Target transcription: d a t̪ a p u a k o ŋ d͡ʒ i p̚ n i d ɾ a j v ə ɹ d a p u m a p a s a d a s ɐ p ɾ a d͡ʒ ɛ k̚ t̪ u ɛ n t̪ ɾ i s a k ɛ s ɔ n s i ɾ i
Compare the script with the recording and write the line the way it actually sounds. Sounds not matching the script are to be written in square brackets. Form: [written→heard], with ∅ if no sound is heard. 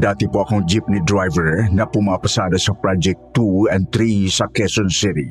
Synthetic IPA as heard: d a t̪ [a→i] p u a k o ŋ d͡ʒ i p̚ n i d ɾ a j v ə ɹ [d→n] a p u m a p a s a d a s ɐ p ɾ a d͡ʒ ɛ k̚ t̪ u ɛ n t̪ ɾ i s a k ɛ s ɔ n s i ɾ i